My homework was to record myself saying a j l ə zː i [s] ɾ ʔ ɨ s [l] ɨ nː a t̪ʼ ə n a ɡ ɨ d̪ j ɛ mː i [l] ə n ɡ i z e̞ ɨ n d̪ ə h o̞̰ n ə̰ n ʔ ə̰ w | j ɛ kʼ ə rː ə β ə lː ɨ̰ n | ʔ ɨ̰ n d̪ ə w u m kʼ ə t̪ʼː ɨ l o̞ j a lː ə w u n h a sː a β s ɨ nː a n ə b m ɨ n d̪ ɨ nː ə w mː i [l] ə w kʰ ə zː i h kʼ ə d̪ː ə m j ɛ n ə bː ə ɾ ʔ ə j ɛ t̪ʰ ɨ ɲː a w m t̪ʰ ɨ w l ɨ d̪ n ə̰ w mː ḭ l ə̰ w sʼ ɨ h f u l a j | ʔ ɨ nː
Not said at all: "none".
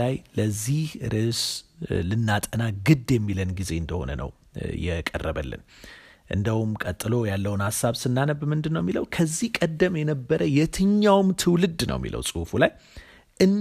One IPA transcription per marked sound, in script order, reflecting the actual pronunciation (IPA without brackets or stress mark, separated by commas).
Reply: h, l, l, l